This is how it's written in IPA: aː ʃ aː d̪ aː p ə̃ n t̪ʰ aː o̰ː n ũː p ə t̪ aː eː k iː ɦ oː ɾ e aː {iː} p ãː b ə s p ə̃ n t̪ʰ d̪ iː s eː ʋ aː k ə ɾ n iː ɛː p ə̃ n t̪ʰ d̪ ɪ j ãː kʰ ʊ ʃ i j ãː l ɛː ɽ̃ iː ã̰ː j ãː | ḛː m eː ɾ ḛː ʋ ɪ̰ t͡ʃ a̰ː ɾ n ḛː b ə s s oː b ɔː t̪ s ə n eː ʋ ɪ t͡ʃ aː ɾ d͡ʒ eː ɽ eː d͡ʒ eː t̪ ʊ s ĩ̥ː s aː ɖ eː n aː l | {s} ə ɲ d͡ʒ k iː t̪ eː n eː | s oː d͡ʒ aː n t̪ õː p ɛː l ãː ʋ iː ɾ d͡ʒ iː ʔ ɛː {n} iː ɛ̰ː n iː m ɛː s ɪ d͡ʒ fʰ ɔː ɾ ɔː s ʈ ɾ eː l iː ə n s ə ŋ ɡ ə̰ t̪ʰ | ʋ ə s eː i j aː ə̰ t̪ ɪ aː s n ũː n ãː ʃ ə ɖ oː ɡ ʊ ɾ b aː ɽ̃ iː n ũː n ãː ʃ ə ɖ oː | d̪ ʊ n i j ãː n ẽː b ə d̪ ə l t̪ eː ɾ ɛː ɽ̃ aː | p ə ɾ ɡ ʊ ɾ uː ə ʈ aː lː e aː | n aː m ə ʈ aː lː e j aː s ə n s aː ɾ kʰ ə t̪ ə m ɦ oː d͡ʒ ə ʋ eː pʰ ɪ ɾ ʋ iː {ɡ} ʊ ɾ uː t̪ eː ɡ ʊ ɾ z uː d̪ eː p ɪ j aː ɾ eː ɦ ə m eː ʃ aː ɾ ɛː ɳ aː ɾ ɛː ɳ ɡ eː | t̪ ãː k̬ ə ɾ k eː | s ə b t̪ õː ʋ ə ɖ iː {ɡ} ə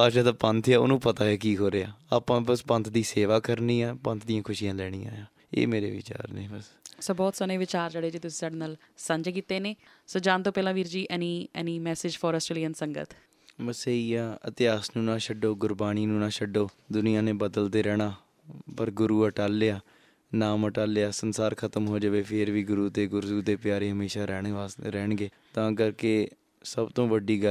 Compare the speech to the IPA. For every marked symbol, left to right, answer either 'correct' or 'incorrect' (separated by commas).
incorrect, correct, correct, correct, correct